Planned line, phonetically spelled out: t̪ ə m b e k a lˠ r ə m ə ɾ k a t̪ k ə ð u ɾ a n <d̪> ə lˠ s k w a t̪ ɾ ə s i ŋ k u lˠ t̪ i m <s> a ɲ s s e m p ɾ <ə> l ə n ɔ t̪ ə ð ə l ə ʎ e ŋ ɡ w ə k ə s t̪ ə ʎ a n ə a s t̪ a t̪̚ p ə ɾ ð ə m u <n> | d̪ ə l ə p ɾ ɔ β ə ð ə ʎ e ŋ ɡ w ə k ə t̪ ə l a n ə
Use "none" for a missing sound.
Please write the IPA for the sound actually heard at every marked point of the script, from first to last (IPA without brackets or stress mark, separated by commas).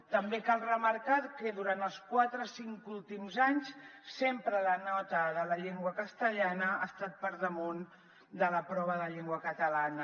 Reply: t̪, z, ə, n